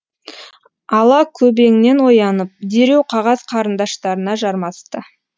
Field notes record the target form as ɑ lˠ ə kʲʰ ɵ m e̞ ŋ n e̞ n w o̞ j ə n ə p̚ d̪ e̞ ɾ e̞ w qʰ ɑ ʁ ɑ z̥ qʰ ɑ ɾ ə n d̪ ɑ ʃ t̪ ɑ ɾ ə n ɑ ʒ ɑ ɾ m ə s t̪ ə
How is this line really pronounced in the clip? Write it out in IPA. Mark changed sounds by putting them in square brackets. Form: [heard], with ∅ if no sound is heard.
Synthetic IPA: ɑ lˠ [ɑ] kʲʰ ɵ [b] e̞ ŋ n e̞ n w o̞ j [ɑ] n ə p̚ d̪ e̞ ɾ e̞ w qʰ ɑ ʁ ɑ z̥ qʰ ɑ ɾ ə n d̪ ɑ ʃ t̪ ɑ ɾ ə n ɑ ʒ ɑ ɾ m [ɑ] s t̪ ə